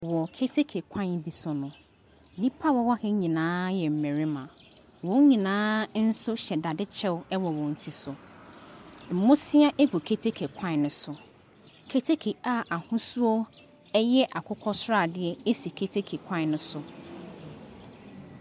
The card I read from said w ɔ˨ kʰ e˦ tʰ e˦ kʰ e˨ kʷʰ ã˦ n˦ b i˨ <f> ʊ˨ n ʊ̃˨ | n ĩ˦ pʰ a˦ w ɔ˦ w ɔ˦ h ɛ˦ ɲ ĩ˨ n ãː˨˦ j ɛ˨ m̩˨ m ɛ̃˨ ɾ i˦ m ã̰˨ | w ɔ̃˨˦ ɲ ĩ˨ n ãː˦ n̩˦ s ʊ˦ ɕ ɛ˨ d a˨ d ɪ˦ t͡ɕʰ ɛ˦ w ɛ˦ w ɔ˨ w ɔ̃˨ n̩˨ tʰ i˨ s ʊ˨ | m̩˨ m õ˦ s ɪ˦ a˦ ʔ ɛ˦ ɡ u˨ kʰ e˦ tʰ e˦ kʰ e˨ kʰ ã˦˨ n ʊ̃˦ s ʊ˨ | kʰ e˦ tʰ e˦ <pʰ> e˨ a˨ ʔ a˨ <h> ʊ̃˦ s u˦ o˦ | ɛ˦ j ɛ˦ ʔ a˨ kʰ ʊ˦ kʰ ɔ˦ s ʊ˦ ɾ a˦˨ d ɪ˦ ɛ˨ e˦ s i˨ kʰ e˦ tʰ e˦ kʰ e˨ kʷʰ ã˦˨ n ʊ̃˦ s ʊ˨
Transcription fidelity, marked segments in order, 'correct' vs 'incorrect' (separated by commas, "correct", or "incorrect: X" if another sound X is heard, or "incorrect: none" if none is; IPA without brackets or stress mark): incorrect: s, incorrect: kʰ, correct